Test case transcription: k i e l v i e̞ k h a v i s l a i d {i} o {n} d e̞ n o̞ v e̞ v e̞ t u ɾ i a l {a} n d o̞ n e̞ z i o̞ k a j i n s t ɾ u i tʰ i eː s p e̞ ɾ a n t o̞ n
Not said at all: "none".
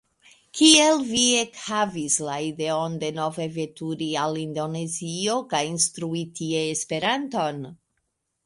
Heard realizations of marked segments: e, n, i

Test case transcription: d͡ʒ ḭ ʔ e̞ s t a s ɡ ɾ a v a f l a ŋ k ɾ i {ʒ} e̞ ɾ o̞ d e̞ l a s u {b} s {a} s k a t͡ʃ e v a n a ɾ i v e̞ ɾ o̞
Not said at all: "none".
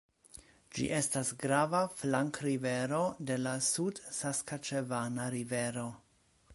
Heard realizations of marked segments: v, d, a

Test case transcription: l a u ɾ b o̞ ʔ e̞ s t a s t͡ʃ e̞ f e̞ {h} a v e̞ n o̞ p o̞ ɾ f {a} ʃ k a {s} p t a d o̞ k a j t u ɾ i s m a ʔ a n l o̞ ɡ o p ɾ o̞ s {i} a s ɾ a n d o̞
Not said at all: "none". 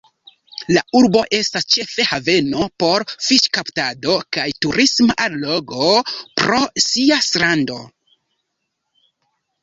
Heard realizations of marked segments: h, i, none, i

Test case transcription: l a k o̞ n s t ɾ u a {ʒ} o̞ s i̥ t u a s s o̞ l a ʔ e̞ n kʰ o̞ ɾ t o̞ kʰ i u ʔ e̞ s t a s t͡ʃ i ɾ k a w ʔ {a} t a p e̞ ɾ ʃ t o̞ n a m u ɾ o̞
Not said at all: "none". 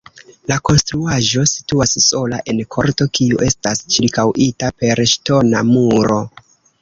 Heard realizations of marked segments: ʒ, i

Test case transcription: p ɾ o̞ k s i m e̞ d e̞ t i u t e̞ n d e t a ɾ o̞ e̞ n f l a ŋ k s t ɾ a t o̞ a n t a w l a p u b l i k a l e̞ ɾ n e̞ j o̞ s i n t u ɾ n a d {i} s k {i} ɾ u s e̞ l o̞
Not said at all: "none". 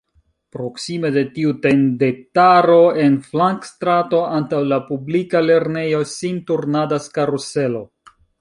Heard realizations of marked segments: a, a

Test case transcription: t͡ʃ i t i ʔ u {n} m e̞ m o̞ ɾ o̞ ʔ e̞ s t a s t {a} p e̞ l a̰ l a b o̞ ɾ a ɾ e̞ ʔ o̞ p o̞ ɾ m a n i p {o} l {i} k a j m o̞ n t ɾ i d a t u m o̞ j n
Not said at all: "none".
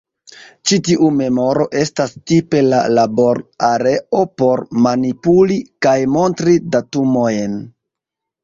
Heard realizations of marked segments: none, i, u, i

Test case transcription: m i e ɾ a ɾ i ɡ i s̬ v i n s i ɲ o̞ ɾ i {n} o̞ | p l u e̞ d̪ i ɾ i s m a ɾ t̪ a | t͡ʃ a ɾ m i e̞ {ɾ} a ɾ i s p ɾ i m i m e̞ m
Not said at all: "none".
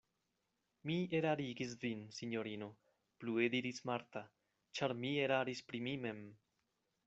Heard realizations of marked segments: n, ɾ

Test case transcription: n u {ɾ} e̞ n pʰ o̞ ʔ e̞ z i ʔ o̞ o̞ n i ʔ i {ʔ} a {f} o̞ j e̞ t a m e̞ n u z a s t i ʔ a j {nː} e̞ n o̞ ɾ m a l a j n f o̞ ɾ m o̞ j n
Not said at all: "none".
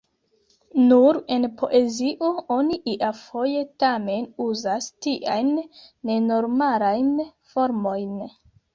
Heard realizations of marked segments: ɾ, ʔ, f, nː

